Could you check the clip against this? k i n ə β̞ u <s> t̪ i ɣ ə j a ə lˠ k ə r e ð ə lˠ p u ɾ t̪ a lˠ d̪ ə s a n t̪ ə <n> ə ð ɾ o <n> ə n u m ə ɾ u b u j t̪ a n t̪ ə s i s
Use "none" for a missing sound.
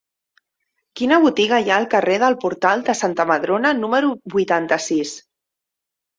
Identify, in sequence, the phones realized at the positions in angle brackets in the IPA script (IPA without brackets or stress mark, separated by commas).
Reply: none, m, n